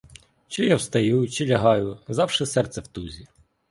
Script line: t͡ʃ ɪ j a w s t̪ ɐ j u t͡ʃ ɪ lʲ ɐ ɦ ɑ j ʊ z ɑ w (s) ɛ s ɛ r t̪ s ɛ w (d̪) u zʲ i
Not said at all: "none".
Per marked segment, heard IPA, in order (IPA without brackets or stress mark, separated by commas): ʃ, t̪